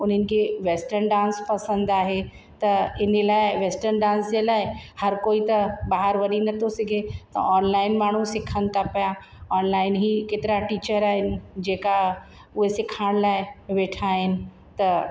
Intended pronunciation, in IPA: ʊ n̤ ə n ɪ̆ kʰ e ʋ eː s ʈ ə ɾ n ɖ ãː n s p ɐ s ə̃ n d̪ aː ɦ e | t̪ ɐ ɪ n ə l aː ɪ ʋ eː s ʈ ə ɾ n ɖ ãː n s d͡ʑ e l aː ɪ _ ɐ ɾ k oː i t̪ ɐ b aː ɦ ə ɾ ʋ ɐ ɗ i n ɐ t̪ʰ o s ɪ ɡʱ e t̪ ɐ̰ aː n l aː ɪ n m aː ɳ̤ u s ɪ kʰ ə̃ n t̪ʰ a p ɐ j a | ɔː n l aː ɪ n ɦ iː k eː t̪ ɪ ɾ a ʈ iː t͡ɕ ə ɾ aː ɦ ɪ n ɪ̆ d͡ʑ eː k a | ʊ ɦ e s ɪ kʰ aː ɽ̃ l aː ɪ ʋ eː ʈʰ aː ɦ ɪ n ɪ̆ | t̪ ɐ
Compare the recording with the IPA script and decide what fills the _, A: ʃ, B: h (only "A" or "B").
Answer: B